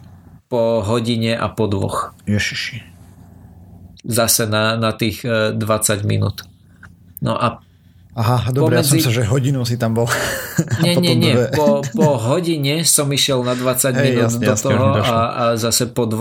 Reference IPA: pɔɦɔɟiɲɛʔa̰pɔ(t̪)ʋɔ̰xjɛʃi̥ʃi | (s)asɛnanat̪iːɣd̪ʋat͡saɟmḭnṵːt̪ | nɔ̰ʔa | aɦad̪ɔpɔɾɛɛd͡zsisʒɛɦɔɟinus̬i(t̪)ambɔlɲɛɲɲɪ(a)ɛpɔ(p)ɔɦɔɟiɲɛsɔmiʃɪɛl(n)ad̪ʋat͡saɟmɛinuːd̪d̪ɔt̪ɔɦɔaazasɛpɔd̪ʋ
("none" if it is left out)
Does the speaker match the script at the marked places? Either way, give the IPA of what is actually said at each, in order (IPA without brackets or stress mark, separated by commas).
d̪, z, t̪, ɛ, p, n